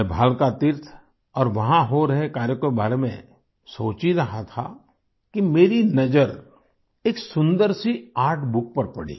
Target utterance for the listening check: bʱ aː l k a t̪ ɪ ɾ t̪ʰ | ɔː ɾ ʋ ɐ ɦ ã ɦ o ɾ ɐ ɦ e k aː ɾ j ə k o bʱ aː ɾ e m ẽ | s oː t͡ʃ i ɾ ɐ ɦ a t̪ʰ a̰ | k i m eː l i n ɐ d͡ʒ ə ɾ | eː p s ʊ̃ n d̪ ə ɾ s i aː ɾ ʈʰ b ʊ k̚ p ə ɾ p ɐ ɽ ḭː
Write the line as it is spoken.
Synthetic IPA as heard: bʱ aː l k a t̪ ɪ ɾ t̪ʰ | ɔː ɾ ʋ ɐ ɦ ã ɦ o ɾ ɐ ɦ e k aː ɾ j ə k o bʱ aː ɾ e m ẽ | s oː t͡ʃ i ɾ ɐ ɦ a t̪ʰ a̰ | k i m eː ɾ i n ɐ d͡ʒ ə ɾ | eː k s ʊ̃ n d̪ ə ɾ s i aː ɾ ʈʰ b ʊ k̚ p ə ɾ p ɐ ɽ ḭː

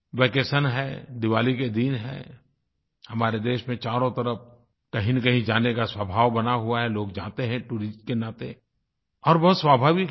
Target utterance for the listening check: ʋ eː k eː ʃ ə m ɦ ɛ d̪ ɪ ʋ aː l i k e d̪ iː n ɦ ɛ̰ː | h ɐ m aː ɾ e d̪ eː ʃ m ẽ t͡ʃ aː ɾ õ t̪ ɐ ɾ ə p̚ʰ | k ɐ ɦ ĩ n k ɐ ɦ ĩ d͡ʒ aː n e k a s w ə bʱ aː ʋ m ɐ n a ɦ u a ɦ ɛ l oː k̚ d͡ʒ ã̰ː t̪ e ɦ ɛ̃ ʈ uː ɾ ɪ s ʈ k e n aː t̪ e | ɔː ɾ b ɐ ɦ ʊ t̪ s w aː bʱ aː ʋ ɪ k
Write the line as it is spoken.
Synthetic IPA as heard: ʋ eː k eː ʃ ə n ɦ ɛ d̪ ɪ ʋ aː l i k e d̪ iː n ɦ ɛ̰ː | h ɐ m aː ɾ e d̪ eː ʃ m ẽ t͡ʃ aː ɾ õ t̪ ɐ ɾ ə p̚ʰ | k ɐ ɦ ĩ n k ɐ ɦ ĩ d͡ʒ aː n e k a s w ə bʱ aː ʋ b ɐ n a ɦ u a ɦ ɛ l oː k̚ d͡ʒ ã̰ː t̪ e ɦ ɛ̃ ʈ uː ɾ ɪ s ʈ k e n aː t̪ e | ɔː ɾ b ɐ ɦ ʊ t̪ s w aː bʱ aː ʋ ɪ k

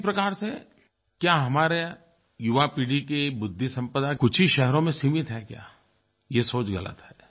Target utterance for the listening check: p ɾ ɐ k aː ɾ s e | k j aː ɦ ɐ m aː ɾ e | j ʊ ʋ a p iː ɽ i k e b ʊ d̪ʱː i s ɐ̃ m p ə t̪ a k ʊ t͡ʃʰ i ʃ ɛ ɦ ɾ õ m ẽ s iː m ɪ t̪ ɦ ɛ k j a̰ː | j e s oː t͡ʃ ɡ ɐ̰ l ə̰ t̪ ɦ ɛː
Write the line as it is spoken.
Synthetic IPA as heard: p ɾ ɐ k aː ɾ s e | k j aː ɦ ɐ m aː ɾ e | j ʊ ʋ a p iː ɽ i k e b ʊ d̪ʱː i s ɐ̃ m p ə d̪ a k ʊ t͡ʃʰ i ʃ ɛ ɦ ɾ õ m ẽ s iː m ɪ t̪ ɦ ɛ k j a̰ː | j e s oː t͡ʃ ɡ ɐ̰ l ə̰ t̪ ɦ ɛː

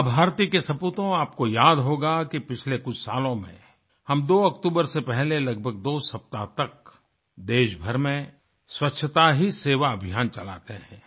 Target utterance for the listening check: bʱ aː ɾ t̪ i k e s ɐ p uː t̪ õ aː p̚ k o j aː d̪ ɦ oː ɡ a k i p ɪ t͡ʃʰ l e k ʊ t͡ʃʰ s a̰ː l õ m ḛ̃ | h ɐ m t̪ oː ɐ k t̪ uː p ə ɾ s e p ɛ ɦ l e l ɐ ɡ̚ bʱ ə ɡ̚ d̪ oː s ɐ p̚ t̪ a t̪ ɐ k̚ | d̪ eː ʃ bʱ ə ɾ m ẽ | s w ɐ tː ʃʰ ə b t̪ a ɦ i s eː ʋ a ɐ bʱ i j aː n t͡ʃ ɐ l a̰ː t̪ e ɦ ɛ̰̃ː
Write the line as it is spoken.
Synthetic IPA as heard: bʱ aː ɾ t̪ i k e s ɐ p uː t̪ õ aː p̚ k o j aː d̪ ɦ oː ɡ a k i p ɪ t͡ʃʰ l e k ʊ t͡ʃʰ s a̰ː l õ m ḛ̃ | h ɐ m d̪ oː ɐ k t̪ uː b ə ɾ s e p ɛ ɦ l e l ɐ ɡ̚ bʱ ə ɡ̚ d̪ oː s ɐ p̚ t̪ a t̪ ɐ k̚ | d̪ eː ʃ bʱ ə ɾ m ẽ | s w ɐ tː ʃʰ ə t̪ a ɦ i s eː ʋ a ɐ bʱ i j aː n t͡ʃ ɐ l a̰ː t̪ e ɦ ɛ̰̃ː

